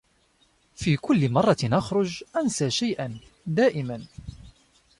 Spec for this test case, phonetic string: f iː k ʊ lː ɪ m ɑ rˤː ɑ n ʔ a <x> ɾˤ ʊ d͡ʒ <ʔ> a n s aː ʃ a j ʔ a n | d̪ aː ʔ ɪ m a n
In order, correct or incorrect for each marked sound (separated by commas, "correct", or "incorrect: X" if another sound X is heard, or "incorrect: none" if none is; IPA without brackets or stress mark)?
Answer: correct, correct